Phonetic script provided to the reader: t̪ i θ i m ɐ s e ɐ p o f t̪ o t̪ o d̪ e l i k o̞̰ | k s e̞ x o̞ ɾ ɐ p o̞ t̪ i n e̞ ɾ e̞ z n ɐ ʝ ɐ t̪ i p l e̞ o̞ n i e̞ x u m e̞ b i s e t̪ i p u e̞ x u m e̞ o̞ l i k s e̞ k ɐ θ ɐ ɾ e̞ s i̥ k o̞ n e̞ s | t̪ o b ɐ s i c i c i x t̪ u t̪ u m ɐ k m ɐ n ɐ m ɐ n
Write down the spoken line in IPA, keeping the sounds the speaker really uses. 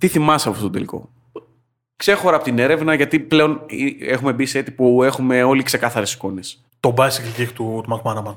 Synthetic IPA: t̪ i θ i m ɐ s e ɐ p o f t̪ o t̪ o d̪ e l i k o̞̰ | k s e̞ x o̞ ɾ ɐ p o̞ t̪ i n e̞ ɾ e̞ v n ɐ ʝ ɐ t̪ i p l e̞ o̞ n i e̞ x u m e̞ b i s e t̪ i p u e̞ x u m e̞ o̞ l i k s e̞ k ɐ θ ɐ ɾ e̞ s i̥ k o̞ n e̞ s | t̪ o b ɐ s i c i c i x t̪ u t̪ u m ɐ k m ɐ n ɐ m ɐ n